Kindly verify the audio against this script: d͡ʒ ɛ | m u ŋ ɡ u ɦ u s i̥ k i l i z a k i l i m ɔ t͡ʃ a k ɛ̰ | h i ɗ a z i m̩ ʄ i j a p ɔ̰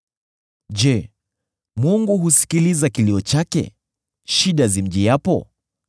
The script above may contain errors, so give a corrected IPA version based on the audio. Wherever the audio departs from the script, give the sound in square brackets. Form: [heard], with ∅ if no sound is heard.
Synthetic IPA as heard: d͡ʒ ɛ | m u ŋ ɡ u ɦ u s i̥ k i l i z a k i l i [∅] ɔ t͡ʃ a k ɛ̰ | [ʃ] i ɗ a z i m̩ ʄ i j a p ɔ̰